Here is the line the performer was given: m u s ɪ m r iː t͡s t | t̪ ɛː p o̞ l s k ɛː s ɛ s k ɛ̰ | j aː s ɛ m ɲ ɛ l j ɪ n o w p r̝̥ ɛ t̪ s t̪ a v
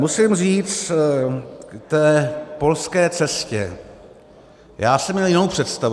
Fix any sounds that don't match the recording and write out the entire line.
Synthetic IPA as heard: m u s ɪ m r iː t͡s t | t̪ ɛː p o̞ l s k ɛː t͡s ɛ s c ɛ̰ | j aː s ɛ m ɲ ɛ l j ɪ n o w p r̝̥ ɛ t̪ s t̪ a v